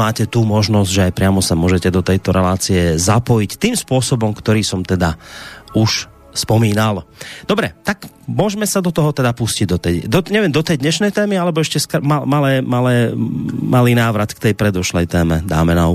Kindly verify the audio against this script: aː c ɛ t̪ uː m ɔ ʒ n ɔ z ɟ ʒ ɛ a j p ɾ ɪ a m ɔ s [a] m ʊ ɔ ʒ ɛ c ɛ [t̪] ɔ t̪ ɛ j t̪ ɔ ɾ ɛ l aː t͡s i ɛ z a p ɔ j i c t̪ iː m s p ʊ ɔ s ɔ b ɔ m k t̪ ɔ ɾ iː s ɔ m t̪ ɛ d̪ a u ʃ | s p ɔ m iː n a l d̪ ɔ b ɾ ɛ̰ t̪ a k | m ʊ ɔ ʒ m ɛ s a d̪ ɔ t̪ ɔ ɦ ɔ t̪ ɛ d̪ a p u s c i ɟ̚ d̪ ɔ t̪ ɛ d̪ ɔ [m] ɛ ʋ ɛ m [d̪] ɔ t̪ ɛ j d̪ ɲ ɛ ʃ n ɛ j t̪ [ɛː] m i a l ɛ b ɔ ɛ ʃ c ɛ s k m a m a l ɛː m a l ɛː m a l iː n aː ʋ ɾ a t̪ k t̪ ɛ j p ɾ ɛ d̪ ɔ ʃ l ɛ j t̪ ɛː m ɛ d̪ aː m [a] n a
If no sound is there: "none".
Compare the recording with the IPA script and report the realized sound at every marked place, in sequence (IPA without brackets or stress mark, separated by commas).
a, d̪, ɲ, d̪, ɛː, ɛ